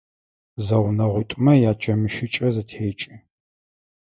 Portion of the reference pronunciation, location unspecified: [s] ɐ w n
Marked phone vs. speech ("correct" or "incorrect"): incorrect